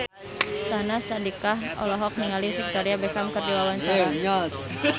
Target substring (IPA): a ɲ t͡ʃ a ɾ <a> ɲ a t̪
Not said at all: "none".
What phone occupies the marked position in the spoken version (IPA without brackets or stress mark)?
a